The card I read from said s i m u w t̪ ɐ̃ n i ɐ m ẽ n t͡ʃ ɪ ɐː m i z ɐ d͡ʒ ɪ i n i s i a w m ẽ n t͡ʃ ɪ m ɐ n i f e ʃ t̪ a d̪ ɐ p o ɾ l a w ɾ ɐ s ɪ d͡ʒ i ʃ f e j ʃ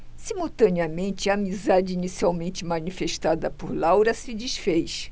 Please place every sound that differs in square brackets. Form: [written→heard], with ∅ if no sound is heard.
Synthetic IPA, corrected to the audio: s i m u w t̪ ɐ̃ n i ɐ m ẽ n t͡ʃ ɪ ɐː m i z [ɐ→a] d͡ʒ ɪ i n i s i a w m ẽ n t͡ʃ ɪ m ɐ n i f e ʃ t̪ a d̪ ɐ p o ɾ l a w ɾ ɐ s ɪ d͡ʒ i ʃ f e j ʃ